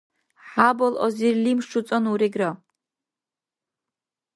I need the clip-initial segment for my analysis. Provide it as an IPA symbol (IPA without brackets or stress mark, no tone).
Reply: ħ